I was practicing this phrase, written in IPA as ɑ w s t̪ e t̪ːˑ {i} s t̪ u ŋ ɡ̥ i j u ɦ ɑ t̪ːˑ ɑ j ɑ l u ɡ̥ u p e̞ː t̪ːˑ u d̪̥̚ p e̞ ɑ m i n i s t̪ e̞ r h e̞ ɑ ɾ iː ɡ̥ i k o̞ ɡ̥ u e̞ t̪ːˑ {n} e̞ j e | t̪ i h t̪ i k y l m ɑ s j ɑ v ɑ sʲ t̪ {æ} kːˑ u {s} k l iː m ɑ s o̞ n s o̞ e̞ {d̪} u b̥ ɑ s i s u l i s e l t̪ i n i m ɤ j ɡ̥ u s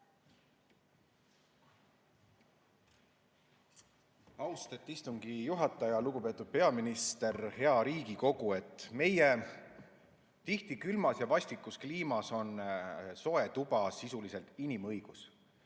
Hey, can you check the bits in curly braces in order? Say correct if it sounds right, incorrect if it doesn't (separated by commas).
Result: correct, incorrect, incorrect, correct, incorrect